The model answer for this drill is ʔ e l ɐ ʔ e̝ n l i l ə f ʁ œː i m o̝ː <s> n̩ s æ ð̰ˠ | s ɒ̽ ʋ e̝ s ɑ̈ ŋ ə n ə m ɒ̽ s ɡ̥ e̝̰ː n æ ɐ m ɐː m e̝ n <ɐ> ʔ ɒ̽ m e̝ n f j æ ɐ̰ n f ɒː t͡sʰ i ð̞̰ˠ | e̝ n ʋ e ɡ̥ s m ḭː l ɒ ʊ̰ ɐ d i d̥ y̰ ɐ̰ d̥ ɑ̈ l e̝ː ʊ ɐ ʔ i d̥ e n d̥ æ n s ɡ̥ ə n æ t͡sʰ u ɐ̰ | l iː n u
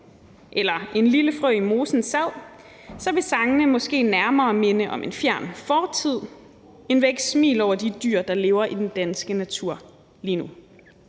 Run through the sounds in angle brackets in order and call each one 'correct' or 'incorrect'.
correct, incorrect

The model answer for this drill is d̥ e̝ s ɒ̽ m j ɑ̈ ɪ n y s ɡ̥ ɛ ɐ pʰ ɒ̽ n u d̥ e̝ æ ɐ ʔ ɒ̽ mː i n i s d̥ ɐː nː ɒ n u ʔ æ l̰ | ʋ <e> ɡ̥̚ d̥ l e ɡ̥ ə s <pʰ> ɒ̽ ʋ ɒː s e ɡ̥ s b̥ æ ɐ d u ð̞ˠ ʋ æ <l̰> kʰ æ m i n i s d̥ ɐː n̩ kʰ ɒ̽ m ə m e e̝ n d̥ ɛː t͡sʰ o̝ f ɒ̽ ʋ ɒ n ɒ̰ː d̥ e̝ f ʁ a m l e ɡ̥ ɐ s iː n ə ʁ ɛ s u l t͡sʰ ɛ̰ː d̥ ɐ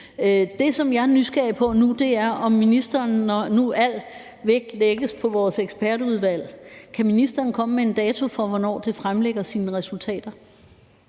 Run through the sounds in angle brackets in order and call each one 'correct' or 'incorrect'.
correct, correct, correct

